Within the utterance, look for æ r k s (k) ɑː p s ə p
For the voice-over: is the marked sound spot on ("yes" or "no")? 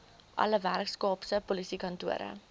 yes